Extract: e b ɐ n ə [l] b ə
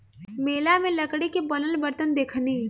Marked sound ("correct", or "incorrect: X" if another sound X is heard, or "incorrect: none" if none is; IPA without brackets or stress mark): correct